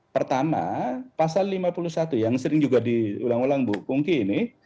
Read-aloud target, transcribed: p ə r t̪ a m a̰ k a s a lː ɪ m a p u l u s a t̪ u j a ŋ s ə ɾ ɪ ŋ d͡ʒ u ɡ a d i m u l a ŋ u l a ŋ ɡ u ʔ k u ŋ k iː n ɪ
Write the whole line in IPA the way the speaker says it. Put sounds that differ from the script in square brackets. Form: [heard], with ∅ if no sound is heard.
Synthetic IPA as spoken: p ə r t̪ a m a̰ [p] a s a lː [i] m a p u l u s a t̪ u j a ŋ s ə ɾ ɪ ŋ d͡ʒ u ɡ a d i [∅] u l a ŋ u l a ŋ [b] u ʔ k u ŋ k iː n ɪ